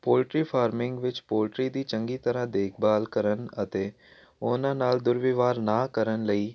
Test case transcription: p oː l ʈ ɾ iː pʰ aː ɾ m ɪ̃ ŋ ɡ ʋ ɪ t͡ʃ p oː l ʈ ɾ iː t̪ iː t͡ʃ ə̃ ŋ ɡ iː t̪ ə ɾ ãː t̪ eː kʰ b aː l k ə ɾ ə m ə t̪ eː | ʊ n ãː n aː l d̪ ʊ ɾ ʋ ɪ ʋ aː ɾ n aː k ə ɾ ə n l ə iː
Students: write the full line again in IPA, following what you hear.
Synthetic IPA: p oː l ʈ ɾ iː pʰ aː ɾ m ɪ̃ ŋ ɡ ʋ ɪ t͡ʃ p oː l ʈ ɾ iː d̪ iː t͡ʃ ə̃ ŋ ɡ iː t̪ ə ɾ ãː d̪ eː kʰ b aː l k ə ɾ ə n ə t̪ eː | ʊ n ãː n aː l d̪ ʊ ɾ ʋ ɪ ʋ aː ɾ n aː k ə ɾ ə n l ə iː